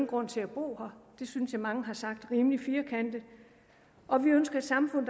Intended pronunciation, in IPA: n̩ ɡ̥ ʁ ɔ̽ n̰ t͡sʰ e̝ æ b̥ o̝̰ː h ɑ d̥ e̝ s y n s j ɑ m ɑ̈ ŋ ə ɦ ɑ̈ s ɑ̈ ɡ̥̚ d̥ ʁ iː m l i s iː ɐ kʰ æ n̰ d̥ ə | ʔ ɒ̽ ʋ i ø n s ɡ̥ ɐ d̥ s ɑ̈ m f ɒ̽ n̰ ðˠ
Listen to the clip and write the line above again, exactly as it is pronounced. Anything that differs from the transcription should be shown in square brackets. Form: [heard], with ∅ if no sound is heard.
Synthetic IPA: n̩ ɡ̥ ʁ ɔ̽ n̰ t͡sʰ e̝ æ b̥ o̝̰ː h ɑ d̥ e̝ s y n s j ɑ m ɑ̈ ŋ ə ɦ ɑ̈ s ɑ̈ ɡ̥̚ d̥ ʁ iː m l i [f] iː ɐ kʰ æ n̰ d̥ ə | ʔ ɒ̽ ʋ i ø n s ɡ̥ ɐ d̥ s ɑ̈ m f [ɔ̽] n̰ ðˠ